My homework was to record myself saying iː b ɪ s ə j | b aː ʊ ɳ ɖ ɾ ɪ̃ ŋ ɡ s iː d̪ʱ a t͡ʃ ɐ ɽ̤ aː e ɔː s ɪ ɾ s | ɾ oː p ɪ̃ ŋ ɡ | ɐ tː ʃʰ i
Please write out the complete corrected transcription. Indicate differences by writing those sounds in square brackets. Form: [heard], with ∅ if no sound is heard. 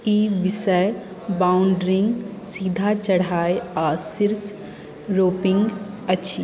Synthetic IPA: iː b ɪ s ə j | b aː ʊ ɳ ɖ ɾ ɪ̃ ŋ ɡ s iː d̪ʱ a t͡ʃ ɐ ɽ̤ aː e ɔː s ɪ ɾ s | ɾ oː p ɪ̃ ŋ ɡ | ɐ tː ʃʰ i